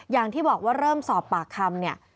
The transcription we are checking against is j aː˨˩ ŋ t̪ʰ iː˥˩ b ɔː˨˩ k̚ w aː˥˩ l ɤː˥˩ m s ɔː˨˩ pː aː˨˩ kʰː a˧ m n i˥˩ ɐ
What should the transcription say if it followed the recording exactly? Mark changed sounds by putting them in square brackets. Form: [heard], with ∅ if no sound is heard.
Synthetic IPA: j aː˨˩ ŋ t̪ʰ iː˥˩ b ɔː˨˩ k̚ w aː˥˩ [ɾ] ɤː˥˩ m s ɔː˨˩ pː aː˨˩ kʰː a˧ m n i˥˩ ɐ